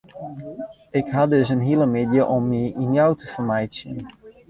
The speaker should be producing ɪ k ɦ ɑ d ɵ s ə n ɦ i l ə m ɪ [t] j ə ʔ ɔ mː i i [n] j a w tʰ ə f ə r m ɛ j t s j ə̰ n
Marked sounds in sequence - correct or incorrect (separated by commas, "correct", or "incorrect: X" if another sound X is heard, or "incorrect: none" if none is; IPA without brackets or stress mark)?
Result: incorrect: d, correct